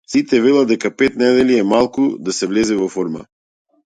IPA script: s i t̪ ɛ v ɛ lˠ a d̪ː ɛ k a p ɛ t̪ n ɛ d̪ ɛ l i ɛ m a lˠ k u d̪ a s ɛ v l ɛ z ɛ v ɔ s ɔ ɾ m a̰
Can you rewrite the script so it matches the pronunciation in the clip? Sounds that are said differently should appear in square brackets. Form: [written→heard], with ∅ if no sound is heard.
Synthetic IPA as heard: s i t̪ ɛ v ɛ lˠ a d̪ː ɛ k a p ɛ t̪ n ɛ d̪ ɛ l i ɛ m a lˠ k u d̪ a s ɛ v l ɛ z ɛ v ɔ [s→f] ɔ ɾ m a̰